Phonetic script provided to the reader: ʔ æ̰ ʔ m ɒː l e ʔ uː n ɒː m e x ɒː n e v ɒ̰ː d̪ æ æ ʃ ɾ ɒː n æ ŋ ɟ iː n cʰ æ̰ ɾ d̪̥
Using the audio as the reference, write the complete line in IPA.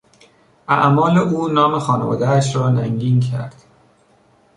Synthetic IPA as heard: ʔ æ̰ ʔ m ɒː l e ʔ uː n ɒː m e x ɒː n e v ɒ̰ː d̪ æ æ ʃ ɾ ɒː n æ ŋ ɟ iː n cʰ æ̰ ɾ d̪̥